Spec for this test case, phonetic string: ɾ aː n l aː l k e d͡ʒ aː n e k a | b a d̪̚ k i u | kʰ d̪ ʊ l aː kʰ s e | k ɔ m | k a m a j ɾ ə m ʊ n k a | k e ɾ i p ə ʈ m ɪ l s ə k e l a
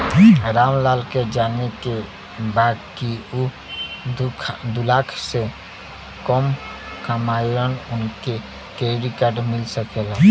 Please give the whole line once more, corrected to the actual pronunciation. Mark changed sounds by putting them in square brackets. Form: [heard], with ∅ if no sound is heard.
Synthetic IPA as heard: ɾ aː [m] l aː l k e d͡ʒ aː n e k [e] | b a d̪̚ k i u | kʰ d̪ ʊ l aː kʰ s e | k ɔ m | k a m a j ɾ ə [n] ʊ n k [e] | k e ɾ i [k] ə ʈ m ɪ l s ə k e l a